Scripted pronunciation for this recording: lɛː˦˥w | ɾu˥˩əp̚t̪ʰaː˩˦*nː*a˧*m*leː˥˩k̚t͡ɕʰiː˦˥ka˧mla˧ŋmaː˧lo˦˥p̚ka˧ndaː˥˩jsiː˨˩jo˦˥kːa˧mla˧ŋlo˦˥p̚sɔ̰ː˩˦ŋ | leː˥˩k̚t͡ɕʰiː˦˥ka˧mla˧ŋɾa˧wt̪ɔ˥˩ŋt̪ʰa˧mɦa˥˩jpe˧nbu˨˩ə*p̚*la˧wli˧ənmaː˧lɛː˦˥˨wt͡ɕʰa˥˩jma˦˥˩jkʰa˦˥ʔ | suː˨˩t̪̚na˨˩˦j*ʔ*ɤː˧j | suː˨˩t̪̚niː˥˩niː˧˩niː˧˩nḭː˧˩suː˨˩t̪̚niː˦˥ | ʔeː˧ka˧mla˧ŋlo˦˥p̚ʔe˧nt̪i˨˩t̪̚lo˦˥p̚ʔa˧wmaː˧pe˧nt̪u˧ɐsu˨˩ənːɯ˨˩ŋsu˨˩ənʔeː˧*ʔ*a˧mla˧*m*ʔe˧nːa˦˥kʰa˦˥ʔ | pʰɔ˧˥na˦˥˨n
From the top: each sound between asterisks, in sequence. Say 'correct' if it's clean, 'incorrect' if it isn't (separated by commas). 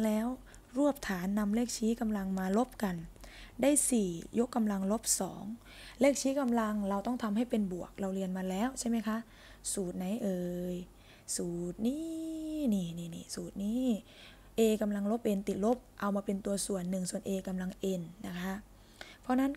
correct, correct, incorrect, correct, incorrect, incorrect